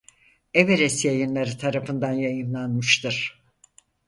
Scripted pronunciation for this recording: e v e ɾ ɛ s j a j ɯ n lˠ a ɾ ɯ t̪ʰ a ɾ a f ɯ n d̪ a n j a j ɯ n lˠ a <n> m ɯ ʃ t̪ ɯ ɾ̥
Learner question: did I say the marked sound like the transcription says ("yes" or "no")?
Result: yes